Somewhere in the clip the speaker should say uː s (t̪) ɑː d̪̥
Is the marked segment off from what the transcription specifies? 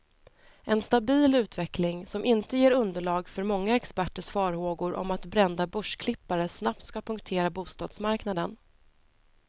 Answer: no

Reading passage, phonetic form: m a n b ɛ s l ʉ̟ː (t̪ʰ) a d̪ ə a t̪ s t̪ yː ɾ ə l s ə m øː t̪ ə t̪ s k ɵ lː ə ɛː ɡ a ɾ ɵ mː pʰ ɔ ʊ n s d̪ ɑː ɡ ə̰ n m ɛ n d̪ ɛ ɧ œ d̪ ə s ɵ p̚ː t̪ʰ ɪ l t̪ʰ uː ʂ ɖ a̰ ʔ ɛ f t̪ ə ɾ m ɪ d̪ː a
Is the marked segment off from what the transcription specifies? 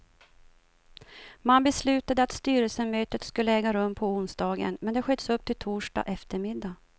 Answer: yes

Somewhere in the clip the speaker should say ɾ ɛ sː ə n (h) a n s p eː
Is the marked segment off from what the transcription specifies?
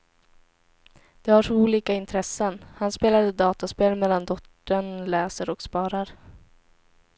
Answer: no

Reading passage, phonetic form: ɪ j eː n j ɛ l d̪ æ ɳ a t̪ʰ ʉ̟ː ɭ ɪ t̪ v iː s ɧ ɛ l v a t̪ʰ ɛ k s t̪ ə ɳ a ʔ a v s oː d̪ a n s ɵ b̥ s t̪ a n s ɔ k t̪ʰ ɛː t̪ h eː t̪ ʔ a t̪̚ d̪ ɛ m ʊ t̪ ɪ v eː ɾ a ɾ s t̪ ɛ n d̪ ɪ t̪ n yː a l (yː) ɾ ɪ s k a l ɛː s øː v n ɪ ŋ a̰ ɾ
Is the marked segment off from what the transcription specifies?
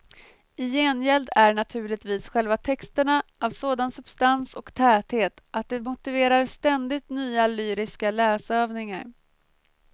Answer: no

